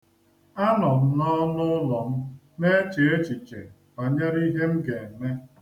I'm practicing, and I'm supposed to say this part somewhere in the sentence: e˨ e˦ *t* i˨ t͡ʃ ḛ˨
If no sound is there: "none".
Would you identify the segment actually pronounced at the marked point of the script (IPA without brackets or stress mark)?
t͡ʃ